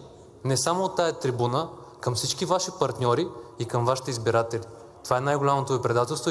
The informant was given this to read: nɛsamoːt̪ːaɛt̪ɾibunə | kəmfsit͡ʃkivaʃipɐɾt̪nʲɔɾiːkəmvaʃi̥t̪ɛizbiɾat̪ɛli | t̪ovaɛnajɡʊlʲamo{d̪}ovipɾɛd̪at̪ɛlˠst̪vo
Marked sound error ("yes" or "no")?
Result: yes